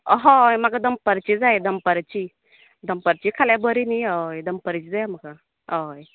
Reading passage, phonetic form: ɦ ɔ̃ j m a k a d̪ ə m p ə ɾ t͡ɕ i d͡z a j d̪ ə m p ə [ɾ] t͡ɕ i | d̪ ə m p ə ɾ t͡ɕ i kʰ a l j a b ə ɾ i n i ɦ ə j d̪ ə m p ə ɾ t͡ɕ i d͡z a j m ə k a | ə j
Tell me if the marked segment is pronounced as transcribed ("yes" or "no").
yes